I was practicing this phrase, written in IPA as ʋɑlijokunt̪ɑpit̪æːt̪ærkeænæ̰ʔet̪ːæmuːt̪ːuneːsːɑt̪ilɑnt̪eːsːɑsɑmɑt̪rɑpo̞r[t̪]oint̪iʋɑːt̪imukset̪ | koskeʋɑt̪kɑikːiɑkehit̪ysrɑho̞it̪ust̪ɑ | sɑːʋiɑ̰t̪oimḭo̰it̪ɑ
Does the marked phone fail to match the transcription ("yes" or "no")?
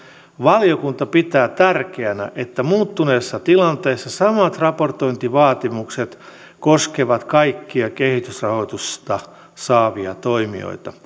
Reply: no